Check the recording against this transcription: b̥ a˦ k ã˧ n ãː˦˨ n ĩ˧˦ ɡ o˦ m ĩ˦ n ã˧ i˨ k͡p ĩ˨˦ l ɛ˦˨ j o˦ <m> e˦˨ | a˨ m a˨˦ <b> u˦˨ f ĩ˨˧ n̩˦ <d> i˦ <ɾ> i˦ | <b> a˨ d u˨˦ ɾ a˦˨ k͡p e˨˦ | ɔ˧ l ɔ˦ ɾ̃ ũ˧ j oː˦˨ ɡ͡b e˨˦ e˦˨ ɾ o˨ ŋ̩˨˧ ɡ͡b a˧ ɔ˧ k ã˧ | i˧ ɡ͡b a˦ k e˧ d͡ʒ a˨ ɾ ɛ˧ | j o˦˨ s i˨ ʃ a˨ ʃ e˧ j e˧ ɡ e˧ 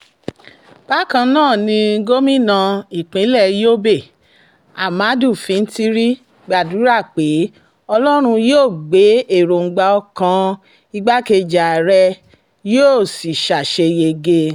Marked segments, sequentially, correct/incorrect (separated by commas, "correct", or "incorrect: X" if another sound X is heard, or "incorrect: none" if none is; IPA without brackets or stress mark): incorrect: b, incorrect: d, incorrect: t, correct, incorrect: ɡ͡b